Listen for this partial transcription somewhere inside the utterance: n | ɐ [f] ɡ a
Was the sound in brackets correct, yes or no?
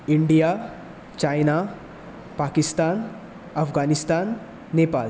yes